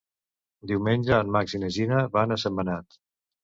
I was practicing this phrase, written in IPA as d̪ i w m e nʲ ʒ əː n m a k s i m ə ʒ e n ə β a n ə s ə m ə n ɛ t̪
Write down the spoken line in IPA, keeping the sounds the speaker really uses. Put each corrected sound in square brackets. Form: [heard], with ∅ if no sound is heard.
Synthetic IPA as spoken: d̪ i w m e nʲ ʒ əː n m a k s i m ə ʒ [i] n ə β a n ə s ə m ə n [a] t̪